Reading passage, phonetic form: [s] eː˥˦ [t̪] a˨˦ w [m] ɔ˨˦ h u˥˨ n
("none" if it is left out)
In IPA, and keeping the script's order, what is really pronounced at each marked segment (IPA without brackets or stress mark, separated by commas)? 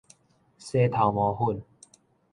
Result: s, t̪ʰ, m